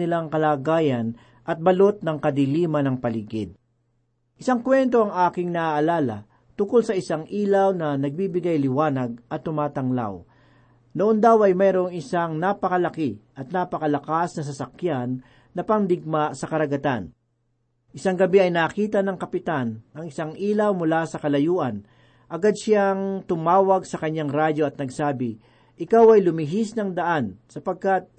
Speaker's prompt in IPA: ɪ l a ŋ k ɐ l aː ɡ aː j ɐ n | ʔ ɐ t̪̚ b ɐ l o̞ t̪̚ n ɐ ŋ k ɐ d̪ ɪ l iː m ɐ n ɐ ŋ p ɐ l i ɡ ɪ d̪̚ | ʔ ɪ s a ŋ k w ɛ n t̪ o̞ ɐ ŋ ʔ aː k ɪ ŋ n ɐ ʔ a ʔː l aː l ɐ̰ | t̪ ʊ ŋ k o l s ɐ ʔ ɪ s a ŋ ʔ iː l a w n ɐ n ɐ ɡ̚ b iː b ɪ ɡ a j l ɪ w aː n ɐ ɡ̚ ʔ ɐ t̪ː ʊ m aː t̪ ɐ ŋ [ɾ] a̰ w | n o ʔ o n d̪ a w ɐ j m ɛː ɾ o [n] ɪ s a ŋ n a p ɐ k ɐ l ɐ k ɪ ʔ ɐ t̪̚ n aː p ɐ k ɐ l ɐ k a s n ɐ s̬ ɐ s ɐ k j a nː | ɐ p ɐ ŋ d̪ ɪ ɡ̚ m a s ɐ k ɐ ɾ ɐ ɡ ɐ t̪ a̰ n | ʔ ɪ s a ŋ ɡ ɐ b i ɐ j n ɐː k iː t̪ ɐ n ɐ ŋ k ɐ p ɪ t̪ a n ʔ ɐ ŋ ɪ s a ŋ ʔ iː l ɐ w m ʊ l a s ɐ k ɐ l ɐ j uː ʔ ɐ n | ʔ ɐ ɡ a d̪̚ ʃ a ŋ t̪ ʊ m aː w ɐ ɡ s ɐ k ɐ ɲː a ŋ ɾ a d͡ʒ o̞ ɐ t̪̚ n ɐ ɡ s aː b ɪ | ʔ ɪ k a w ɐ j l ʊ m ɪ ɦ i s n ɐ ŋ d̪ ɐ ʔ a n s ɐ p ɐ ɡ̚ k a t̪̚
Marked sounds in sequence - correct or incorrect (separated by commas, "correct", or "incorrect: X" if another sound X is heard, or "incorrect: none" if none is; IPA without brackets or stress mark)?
incorrect: l, incorrect: ŋ